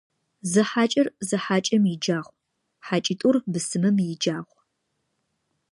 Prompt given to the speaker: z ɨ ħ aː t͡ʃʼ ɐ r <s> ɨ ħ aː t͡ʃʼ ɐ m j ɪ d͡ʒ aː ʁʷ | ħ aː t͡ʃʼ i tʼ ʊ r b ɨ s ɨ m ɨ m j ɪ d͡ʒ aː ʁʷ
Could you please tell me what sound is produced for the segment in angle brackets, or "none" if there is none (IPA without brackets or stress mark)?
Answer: z